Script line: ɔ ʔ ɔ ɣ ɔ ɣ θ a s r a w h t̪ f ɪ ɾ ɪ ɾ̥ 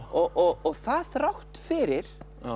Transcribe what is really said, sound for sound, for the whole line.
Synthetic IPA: ɔ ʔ ɔ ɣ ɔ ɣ θ a θ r a w h t̪ f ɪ ɾ ɪ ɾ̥